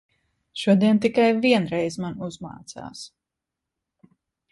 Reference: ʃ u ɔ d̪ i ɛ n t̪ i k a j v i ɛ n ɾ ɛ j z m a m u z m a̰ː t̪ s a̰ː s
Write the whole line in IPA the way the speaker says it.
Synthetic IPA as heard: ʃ u ɔ d̪ i ɛ n t̪ i k a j v i ɛ n ɾ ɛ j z m a n u z m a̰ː t̪ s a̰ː s